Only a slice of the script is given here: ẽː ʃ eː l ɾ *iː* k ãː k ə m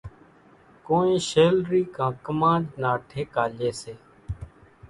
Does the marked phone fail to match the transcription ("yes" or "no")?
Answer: no